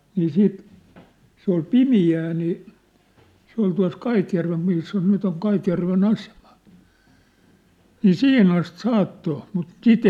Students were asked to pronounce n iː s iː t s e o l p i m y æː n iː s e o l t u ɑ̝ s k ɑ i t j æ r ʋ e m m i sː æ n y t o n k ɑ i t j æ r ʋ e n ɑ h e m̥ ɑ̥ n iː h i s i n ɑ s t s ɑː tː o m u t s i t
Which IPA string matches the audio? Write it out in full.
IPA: n iː s iː t s e o l p i m i æː n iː s e o l t u ɑ̝ s k ɑ i t j æ r ʋ e m m i sː æ n y t o ŋ k ɑ i t j æ r ʋ e n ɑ s e m̥ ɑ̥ n iː s i h i n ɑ s t s ɑː tː o m u t s i t